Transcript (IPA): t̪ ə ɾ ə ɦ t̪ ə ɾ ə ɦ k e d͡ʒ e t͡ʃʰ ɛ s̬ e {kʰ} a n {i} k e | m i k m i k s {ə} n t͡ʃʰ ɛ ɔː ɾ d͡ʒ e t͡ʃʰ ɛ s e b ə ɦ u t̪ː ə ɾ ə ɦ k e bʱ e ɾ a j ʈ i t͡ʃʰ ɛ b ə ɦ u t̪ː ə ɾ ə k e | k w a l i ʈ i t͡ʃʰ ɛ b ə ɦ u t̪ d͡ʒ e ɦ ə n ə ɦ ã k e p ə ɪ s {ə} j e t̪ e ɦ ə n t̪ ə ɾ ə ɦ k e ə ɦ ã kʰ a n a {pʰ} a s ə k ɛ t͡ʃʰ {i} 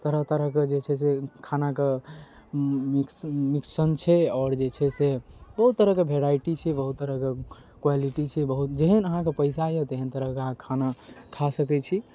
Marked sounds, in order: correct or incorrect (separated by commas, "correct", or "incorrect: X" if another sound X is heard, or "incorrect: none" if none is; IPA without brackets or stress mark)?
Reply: correct, incorrect: a, correct, incorrect: a, incorrect: kʰ, correct